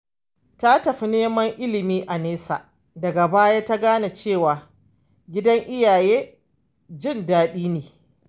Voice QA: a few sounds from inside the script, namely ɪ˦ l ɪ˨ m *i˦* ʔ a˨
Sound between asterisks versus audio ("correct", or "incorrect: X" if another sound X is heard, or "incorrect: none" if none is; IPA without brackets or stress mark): incorrect: iː˦